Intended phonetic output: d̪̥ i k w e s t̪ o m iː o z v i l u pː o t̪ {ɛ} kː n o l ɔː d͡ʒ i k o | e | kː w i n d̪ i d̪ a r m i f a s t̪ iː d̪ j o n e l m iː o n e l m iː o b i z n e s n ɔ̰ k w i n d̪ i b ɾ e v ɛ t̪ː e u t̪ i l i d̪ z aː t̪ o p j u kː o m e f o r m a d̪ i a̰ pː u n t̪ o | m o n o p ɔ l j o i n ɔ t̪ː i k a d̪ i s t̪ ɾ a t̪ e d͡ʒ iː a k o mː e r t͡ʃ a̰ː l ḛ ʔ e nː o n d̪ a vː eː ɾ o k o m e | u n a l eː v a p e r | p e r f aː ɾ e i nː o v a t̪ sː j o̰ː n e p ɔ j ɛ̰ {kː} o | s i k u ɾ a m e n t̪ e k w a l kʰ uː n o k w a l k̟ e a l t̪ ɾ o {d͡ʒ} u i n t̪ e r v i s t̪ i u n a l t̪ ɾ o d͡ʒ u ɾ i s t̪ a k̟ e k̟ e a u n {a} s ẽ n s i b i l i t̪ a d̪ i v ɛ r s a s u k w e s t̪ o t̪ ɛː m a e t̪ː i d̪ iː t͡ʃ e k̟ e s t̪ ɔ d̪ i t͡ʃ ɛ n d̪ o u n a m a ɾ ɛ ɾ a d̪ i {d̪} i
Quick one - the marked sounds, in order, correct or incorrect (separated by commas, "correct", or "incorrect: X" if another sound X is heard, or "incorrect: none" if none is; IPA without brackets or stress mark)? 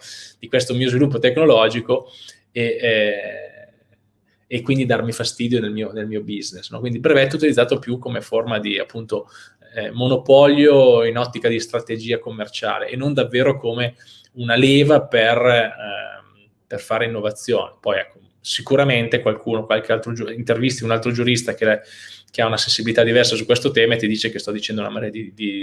incorrect: e, correct, correct, correct, correct